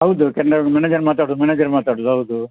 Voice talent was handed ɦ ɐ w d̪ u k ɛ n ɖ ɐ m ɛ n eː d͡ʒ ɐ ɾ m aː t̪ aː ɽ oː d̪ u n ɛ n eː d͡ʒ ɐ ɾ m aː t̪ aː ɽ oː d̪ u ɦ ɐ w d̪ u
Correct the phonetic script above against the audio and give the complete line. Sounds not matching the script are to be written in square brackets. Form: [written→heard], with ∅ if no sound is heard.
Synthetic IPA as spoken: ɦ ɐ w d̪ u k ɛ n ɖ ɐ m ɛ n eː d͡ʒ ɐ ɾ m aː t̪ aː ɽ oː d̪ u [n→m] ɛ n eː d͡ʒ ɐ ɾ m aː t̪ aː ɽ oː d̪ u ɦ ɐ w d̪ u